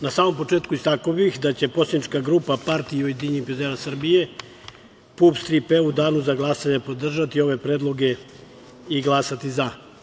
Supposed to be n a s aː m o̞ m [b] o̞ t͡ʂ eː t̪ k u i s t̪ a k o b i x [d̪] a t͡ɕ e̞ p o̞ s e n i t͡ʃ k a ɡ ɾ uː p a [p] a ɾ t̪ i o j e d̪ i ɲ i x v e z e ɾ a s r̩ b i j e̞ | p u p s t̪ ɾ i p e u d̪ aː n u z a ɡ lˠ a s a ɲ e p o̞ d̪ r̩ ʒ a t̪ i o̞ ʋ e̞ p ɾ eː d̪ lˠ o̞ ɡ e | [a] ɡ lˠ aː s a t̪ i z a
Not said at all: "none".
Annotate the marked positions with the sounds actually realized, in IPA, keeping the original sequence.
p, d̪, p, i

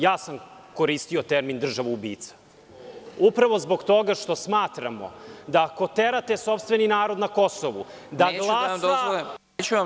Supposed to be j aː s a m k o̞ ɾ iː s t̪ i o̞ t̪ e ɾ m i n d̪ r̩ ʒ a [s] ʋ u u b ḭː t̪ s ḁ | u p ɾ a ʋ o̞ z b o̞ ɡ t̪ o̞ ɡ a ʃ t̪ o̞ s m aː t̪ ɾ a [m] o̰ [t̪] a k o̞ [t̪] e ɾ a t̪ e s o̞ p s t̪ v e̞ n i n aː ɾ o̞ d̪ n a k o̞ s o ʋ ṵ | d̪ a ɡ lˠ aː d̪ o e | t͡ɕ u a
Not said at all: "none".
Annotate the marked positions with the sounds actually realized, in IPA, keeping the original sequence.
none, m, d̪, t̪

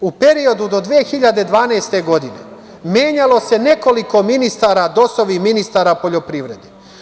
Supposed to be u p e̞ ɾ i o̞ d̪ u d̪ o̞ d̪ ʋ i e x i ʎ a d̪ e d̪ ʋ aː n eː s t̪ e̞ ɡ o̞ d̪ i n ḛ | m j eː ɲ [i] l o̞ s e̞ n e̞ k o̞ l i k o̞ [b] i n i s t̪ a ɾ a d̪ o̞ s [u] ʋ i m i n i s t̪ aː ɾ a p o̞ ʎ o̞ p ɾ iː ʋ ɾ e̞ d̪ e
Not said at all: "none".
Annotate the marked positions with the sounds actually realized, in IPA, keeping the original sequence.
a, m, o

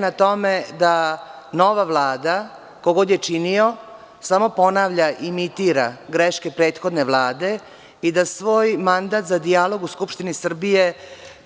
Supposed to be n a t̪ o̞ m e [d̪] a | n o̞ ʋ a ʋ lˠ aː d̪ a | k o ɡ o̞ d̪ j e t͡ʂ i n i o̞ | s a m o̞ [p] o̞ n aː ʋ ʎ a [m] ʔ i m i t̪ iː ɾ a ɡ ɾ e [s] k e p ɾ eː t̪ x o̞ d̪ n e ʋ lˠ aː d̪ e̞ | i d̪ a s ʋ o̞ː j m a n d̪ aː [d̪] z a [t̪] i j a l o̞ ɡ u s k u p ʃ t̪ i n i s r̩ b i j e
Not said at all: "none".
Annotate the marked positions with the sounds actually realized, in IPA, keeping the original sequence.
d̪, p, none, ʃ, t̪, d̪

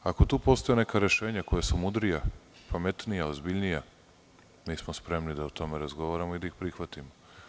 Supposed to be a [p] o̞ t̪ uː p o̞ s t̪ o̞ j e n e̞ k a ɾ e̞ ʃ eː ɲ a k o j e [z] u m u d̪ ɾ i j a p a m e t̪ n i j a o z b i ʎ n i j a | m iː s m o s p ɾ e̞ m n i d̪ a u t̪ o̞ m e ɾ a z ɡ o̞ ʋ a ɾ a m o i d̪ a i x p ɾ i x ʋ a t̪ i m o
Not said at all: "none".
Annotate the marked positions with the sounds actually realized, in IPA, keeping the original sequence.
k, s

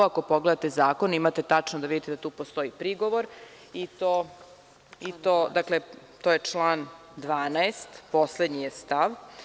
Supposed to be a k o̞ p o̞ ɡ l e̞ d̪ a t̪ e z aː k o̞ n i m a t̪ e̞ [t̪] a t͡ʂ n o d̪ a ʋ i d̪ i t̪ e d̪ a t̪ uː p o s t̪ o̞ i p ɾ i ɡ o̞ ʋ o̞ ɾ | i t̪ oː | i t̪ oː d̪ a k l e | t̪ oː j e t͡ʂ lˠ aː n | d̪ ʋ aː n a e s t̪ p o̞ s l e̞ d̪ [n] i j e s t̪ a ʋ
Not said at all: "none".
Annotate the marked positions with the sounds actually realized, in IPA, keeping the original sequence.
t̪, ɲ

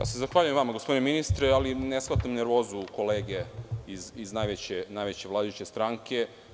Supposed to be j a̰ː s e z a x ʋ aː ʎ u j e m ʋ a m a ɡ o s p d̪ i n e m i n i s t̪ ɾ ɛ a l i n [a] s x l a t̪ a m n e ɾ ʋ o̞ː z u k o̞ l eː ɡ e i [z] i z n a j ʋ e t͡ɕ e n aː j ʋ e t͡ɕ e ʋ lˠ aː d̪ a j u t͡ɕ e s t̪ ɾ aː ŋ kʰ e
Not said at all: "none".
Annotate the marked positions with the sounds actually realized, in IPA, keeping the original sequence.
e, z

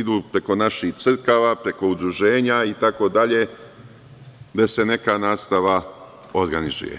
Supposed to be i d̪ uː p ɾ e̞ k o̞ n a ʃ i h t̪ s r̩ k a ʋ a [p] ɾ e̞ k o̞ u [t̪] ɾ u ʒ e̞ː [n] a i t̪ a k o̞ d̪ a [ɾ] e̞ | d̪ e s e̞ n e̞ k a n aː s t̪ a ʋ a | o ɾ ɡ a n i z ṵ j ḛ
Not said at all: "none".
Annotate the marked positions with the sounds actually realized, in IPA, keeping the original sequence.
p, d̪, ɲ, ʎ

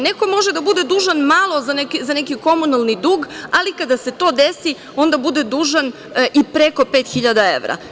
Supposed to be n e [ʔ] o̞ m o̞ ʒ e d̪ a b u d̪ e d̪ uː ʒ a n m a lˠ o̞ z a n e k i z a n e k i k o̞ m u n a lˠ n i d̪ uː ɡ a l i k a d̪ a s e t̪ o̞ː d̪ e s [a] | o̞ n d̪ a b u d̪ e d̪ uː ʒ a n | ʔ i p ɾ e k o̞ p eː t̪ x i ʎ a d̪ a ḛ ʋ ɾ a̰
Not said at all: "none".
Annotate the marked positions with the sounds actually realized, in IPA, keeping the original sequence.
k, i

